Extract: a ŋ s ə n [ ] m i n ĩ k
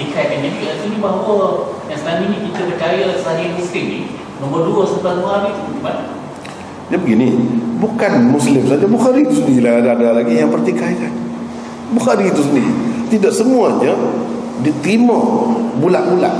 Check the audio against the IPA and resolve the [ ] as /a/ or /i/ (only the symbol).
a